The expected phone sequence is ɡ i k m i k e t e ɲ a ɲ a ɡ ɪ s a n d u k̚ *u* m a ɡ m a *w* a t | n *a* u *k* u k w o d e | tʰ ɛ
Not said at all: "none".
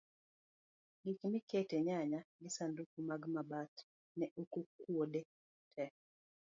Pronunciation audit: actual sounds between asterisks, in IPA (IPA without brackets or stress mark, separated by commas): u, b, ɛ, k